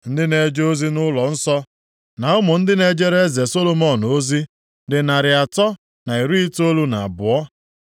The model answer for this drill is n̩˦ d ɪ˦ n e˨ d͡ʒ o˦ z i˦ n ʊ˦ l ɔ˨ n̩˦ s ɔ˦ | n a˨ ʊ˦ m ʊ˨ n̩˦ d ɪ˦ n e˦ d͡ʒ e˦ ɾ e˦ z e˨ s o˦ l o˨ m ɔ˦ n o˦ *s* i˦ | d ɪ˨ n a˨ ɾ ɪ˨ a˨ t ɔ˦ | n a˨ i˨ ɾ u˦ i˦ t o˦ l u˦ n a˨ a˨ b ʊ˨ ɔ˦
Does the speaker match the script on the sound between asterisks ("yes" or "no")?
no